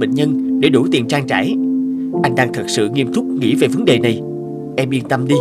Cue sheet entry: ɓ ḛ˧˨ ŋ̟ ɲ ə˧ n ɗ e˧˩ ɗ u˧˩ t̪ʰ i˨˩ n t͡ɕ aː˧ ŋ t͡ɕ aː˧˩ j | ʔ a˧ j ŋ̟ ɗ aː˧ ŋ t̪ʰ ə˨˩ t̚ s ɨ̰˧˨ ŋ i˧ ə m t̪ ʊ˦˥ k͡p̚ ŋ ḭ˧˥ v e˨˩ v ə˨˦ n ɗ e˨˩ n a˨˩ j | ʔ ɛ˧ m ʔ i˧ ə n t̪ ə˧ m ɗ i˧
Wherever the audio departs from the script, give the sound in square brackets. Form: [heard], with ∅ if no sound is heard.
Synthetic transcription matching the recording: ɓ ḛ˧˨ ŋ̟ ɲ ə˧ n ɗ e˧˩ ɗ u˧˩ [t̪] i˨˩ n t͡ɕ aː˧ ŋ t͡ɕ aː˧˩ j | ʔ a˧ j ŋ̟ ɗ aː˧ ŋ t̪ʰ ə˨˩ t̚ s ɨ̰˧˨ ŋ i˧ ə m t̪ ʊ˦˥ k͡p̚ ŋ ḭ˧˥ v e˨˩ v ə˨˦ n ɗ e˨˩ n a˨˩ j | ʔ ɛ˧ m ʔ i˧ ə n t̪ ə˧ m ɗ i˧